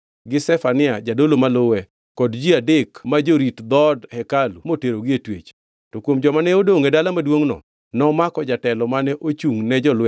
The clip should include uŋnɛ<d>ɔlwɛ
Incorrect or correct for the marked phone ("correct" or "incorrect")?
incorrect